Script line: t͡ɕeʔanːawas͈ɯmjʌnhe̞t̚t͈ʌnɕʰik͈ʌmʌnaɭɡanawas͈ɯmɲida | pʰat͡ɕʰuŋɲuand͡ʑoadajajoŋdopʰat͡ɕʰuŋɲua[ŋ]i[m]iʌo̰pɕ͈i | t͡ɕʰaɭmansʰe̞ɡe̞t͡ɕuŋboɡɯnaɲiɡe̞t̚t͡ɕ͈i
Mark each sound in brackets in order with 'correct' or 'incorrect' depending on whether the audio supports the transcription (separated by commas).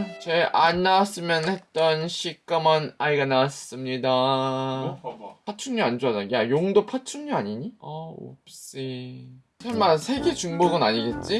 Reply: incorrect, incorrect